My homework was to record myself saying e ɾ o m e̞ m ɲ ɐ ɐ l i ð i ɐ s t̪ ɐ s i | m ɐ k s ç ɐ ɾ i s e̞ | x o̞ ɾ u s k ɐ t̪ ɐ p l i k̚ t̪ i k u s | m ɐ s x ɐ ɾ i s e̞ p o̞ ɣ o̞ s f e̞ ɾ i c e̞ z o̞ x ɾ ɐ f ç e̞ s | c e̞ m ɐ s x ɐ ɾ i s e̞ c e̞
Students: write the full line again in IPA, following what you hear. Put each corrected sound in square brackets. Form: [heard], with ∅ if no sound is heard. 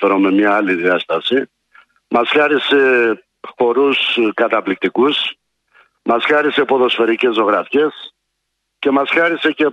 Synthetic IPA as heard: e ɾ o m e̞ m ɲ ɐ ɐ l i ð i ɐ s t̪ ɐ s i | m ɐ [∅] s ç ɐ ɾ i s e̞ | x o̞ ɾ u s k ɐ t̪ ɐ p l i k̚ t̪ i k u s | m ɐ s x ɐ ɾ i s e̞ p o̞ [ð] o̞ s f e̞ ɾ i c e̞ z o̞ [ɣ] ɾ ɐ f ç e̞ s | c e̞ m ɐ s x ɐ ɾ i s e̞ c e̞